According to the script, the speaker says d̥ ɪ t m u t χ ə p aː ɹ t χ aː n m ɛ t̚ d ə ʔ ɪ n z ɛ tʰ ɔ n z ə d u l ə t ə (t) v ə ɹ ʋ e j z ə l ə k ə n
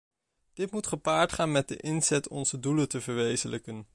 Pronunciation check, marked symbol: incorrect: none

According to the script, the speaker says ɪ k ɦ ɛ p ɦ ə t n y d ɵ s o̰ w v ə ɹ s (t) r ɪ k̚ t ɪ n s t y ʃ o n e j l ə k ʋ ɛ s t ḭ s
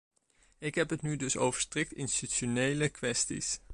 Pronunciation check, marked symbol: correct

